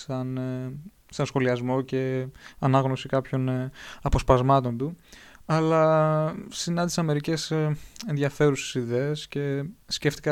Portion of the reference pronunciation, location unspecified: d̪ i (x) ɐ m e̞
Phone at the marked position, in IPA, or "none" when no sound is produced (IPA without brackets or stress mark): s